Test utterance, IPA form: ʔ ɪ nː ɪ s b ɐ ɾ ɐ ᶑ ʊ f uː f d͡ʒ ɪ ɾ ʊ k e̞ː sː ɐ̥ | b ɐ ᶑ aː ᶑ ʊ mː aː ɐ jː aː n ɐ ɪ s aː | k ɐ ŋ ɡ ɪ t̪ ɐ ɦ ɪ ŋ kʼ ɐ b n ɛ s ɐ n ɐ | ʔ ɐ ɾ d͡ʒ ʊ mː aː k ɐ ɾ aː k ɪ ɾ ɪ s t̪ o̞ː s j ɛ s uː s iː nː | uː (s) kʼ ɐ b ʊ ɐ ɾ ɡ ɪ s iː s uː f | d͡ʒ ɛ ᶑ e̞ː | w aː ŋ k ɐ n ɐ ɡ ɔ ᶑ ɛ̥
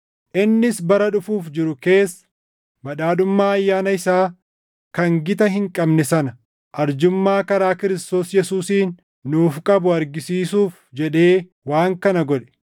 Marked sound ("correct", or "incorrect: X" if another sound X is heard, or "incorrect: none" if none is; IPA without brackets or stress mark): incorrect: f